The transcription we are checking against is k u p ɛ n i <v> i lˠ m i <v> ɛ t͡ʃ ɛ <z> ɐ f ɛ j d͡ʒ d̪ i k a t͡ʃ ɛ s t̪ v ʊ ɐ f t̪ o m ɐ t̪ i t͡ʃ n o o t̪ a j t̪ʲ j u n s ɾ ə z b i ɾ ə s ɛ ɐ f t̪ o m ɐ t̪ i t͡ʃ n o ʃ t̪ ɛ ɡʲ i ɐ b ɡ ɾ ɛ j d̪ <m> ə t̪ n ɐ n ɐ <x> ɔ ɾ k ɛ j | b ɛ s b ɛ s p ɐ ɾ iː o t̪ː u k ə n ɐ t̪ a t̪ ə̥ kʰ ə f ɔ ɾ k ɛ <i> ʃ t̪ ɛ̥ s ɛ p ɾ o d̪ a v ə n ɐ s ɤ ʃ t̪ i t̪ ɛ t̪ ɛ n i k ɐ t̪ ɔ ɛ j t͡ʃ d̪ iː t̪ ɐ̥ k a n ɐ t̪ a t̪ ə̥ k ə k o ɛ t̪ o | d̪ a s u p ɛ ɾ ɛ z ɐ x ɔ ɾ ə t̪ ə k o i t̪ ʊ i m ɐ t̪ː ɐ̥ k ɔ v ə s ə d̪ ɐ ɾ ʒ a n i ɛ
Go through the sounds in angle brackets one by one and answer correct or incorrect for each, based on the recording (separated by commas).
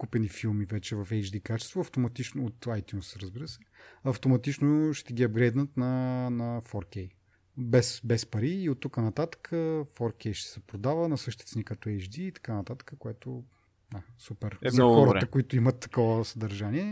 incorrect, correct, incorrect, incorrect, incorrect, incorrect